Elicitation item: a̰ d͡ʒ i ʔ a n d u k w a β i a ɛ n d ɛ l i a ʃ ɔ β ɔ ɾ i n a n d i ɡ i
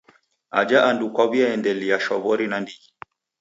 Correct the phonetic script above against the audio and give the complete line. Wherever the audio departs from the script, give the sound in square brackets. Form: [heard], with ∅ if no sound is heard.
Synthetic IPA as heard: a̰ d͡ʒ [a] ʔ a n d u k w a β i a ɛ n d ɛ l i a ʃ ɔ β ɔ ɾ i n a n d i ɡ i